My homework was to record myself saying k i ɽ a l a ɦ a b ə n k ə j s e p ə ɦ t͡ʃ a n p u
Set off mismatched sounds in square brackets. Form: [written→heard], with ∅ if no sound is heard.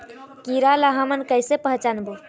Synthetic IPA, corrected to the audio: k i [ɽ→ɾ] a l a ɦ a [b→m] ə n k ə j s e p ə ɦ t͡ʃ a n [p→b] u